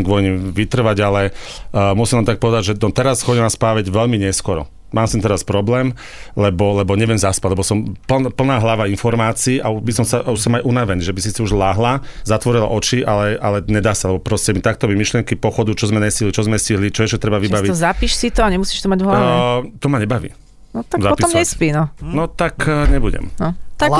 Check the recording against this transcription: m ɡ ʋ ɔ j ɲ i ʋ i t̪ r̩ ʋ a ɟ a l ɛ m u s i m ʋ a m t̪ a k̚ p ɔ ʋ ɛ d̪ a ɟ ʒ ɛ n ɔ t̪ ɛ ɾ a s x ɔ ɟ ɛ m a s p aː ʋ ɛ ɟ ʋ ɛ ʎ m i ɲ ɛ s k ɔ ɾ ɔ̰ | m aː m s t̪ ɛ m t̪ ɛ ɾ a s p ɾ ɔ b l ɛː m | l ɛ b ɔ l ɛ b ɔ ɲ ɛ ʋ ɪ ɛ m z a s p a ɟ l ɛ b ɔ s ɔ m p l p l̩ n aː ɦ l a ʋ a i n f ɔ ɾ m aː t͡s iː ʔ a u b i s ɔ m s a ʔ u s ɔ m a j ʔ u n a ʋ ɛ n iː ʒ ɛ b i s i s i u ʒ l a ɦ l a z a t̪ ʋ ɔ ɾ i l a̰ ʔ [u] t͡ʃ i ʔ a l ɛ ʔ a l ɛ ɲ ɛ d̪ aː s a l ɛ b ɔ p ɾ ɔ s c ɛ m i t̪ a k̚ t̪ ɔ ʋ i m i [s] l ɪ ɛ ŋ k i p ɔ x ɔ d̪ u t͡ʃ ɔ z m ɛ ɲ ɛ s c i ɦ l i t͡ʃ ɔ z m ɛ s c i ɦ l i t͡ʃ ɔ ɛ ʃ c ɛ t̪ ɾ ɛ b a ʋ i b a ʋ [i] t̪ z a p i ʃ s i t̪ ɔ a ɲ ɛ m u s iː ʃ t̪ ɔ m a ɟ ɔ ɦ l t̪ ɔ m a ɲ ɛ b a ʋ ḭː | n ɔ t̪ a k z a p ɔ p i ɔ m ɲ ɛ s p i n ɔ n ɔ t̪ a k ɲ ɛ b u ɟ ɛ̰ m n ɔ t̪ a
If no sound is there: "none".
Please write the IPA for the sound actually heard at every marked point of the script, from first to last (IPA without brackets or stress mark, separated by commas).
ɔ, ʃ, i